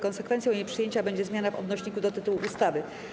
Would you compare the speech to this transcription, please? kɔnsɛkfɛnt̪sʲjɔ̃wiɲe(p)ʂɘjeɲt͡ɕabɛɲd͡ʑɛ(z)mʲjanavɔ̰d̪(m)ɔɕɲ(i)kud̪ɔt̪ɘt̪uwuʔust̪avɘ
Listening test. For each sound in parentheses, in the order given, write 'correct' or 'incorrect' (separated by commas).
correct, correct, incorrect, correct